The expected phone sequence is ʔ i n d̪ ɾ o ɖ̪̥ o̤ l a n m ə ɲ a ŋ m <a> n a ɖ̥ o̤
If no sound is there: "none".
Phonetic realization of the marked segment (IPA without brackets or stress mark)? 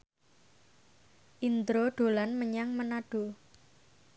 ə